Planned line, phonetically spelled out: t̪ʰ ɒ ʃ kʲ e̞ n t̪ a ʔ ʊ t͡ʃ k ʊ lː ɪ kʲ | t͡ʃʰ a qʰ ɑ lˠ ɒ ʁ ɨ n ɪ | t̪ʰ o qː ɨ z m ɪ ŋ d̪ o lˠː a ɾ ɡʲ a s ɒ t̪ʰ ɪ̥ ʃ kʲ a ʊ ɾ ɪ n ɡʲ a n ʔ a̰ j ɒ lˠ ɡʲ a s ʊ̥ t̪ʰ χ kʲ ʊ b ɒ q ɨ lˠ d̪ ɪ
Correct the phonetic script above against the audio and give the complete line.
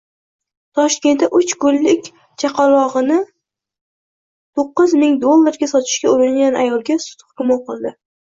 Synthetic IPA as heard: t̪ʰ ɒ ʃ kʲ e̞ n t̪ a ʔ ʊ t͡ʃ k ʊ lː ɪ kʲ | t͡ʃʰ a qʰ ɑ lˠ ɒ ʁ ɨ n ɪ | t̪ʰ o qː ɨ z m ɪ ŋ d̪ o lˠː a ɾ ɡʲ a s ɒ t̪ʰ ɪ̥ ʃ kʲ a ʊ ɾ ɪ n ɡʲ a n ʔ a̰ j ɒ lˠ ɡʲ a s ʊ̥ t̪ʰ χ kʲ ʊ m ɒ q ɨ lˠ d̪ ɪ